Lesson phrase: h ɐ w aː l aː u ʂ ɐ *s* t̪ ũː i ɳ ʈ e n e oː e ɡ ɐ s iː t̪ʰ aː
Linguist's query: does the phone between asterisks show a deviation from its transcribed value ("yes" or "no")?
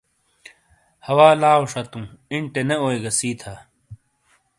yes